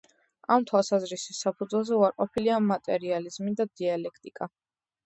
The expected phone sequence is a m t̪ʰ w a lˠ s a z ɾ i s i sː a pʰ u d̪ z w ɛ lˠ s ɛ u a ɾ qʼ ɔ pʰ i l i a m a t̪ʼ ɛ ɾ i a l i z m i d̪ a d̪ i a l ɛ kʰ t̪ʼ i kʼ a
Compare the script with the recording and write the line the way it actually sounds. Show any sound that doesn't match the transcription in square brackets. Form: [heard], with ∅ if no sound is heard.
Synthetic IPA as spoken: a m t̪ʰ w a lˠ s a z ɾ i s i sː a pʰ u d̪ z w ɛ lˠ [z] ɛ u a ɾ qʼ ɔ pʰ i l i a m a t̪ʼ ɛ ɾ i a l i z m i d̪ a d̪ i a l ɛ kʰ t̪ʼ i kʼ a